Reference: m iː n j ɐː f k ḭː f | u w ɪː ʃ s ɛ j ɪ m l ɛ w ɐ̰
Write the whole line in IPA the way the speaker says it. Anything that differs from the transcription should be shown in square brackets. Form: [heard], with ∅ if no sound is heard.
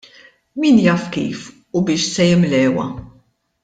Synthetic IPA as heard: m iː n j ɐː f k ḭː f | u [b] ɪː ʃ s ɛ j ɪ m l [ɛː] w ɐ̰

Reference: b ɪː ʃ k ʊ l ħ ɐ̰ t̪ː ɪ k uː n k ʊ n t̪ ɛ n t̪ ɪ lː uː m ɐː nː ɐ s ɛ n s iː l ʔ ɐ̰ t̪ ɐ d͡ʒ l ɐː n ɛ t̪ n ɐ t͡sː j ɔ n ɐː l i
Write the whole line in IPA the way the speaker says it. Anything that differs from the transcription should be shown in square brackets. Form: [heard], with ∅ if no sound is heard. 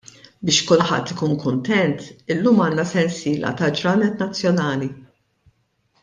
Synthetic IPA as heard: b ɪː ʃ k ʊ l ħ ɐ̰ t̪ː ɪ k uː n k ʊ n t̪ ɛ n t̪ ɪ lː uː m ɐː nː ɐ s ɛ n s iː l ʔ ɐ̰ t̪ ɐ d͡ʒ [ɾ] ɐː n ɛ t̪ n ɐ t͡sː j ɔ n ɐː l i

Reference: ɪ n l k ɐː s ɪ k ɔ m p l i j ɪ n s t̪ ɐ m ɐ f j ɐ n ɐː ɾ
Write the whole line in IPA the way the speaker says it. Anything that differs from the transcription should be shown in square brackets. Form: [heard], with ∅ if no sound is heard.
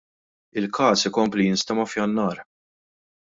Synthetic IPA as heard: ɪ [∅] l k ɐː s ɪ k ɔ m p l i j ɪ n s t̪ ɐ m ɐ f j ɐ [nː] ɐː ɾ

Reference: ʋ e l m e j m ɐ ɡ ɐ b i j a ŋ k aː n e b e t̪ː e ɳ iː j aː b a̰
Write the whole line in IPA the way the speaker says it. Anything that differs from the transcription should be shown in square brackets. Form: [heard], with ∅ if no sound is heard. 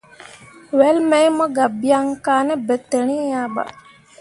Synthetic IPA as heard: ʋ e l m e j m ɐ ɡ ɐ b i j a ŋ k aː n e b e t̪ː e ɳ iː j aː b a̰

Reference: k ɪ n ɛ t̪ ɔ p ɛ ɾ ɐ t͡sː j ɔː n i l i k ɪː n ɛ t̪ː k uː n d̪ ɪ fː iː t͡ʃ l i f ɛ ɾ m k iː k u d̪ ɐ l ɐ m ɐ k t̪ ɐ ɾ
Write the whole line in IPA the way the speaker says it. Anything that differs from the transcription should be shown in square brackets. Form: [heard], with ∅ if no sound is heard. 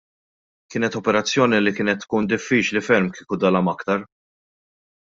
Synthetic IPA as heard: k [ɪː] n ɛ t̪ ɔ p ɛ ɾ ɐ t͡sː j ɔː n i l i k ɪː n ɛ t̪ː k uː n d̪ ɪ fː iː t͡ʃ l i f ɛ ɾ m k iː k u d̪ ɐ l ɐ m ɐ k t̪ ɐ ɾ

